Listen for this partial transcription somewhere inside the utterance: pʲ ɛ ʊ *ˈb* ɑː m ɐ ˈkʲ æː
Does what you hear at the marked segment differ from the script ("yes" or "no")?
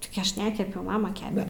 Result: yes